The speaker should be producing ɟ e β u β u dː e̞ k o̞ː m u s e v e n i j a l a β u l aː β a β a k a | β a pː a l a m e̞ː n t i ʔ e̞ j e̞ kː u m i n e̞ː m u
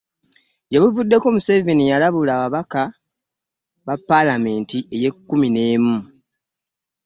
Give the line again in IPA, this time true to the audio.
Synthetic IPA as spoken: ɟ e β u v u dː e̞ k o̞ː m u s e v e n i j a l a β u l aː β a β a k a | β a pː a l a m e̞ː n t i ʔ e̞ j e̞ kː u m i n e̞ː m u